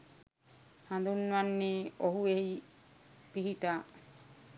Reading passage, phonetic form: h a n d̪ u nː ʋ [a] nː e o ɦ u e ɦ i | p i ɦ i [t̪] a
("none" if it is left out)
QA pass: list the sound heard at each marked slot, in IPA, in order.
a, t̪

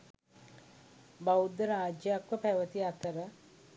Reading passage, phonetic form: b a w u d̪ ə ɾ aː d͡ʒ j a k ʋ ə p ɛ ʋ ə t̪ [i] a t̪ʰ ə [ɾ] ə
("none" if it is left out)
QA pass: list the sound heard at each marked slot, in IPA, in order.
i, ɾ

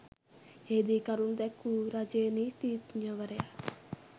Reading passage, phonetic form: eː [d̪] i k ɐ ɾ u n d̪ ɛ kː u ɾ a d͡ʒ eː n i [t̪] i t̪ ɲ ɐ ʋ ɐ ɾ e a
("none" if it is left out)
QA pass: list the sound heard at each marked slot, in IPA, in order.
d̪, t̪

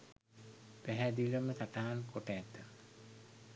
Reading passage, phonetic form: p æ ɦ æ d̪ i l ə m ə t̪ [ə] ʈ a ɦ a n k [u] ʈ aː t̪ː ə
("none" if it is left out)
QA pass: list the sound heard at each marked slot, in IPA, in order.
a, o

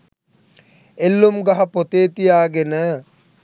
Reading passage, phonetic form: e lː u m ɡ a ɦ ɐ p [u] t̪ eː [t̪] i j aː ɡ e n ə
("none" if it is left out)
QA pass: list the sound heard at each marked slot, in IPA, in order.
o, t̪

